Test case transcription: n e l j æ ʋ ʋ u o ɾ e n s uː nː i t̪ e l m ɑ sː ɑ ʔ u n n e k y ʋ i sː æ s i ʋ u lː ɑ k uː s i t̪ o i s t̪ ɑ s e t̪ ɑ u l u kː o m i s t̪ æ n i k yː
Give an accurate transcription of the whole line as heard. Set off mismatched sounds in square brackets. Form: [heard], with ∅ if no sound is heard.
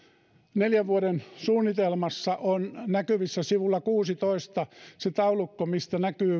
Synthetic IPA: n e l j æ ʋ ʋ u o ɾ e n s uː nː i t̪ e l m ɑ sː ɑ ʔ [o] n n [æ] k y ʋ i sː æ s i ʋ u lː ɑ k uː s i t̪ o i s t̪ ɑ s e t̪ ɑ u l u kː o m i s t̪ æ n [æ] k yː